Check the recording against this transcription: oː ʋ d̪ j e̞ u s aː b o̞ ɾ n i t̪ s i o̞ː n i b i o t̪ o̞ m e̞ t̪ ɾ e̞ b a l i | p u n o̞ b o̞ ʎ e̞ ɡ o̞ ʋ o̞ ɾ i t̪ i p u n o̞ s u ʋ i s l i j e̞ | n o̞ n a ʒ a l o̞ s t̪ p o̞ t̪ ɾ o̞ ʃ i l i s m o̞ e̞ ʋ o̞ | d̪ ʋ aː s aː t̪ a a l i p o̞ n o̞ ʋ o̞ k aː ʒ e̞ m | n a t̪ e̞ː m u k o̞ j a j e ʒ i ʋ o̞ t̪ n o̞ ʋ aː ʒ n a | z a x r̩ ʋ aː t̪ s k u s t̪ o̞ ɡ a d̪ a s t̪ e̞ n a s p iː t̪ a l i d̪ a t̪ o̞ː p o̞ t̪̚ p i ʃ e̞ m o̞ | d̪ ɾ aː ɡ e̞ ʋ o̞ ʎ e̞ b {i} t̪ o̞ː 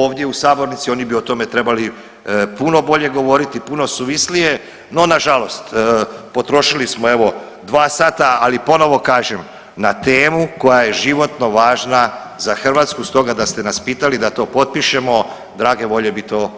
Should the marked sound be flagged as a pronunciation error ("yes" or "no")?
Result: no